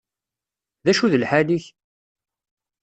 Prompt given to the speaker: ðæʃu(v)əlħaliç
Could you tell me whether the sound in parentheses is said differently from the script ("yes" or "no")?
yes